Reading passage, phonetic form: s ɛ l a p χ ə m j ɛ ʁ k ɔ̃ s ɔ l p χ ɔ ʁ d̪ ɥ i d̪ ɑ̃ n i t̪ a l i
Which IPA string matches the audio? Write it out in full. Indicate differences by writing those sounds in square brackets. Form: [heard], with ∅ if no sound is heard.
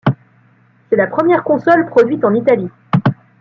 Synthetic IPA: s ɛ l a p χ ə m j ɛ ʁ k ɔ̃ s ɔ l p χ ɔ [∅] d̪ ɥ i [t̪] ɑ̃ n i t̪ a l i